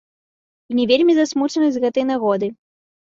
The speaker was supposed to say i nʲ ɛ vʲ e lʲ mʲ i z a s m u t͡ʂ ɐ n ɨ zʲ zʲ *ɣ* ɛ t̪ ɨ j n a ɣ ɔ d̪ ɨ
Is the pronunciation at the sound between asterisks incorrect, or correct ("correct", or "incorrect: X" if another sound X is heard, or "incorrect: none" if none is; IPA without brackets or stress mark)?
correct